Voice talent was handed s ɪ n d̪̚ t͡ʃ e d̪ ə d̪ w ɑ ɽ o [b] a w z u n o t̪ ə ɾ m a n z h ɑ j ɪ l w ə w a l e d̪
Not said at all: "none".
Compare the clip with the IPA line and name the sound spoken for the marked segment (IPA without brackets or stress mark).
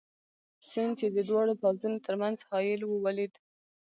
p